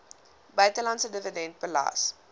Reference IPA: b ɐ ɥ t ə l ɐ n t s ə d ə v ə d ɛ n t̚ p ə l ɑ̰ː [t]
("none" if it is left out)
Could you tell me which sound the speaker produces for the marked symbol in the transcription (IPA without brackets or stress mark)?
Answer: s